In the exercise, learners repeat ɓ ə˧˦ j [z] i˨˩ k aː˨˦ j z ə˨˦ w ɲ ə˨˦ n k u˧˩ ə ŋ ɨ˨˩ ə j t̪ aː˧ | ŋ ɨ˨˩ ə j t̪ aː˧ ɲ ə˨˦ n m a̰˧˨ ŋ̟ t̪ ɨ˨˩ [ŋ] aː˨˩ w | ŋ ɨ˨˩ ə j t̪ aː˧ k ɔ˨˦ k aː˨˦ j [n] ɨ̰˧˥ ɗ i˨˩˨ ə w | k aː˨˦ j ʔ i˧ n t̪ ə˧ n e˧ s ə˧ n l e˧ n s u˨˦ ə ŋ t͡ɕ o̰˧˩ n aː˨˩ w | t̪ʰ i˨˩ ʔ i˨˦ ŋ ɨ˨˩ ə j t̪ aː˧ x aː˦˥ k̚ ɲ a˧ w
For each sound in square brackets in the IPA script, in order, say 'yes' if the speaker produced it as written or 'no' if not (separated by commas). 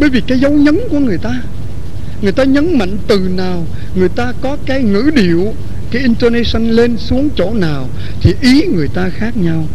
no, no, no